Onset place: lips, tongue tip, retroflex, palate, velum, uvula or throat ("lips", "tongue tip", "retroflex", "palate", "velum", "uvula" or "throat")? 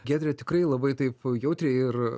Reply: velum